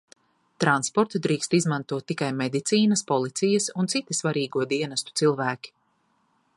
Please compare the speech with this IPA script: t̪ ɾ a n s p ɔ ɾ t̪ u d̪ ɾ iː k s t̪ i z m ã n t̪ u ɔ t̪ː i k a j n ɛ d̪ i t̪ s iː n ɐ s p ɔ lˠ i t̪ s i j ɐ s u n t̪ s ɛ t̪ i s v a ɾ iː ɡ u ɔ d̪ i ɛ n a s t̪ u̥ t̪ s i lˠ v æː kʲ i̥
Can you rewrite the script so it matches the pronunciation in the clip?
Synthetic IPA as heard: t̪ ɾ a n s p ɔ ɾ t̪ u d̪ ɾ iː k s t̪ i z m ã n t̪ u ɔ t̪ː i k a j m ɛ d̪ i t̪ s iː n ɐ s p ɔ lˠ i t̪ s i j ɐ s u n t̪ s i t̪ i s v a ɾ iː ɡ u ɔ d̪ i ɛ n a s t̪ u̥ t̪ s i lˠ v æː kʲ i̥